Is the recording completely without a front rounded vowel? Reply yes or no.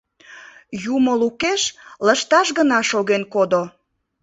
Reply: yes